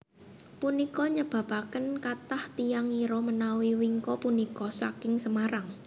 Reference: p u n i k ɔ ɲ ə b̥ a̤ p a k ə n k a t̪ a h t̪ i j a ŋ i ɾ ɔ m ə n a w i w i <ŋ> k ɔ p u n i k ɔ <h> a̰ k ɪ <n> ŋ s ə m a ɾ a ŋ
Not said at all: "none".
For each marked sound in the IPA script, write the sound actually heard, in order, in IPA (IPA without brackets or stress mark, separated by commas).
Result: ŋ, s, none